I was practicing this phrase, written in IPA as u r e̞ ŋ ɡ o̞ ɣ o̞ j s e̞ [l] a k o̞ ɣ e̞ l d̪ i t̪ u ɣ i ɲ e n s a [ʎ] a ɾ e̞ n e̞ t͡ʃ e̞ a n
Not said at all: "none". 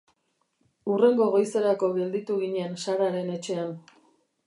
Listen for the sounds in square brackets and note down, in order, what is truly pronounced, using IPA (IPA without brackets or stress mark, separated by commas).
ɾ, ɾ